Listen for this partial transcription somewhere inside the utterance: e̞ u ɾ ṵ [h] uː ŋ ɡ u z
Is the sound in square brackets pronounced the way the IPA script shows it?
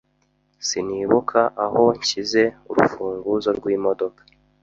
no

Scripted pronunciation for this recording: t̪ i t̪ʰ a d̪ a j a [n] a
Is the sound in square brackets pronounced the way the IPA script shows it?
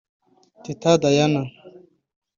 yes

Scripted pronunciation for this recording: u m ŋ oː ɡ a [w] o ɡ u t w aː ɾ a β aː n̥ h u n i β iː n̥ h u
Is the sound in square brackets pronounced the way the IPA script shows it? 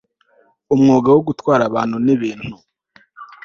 yes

